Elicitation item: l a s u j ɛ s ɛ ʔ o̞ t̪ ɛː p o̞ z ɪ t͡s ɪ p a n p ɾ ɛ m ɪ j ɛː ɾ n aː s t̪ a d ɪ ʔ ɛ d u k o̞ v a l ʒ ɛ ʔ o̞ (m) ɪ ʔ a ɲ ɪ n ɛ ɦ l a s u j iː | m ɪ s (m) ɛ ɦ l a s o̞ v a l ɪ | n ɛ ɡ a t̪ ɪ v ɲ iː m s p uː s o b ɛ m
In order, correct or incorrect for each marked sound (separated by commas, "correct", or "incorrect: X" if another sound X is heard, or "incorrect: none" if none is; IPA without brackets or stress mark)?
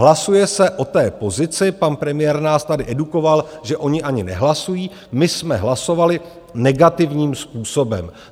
incorrect: ɲ, correct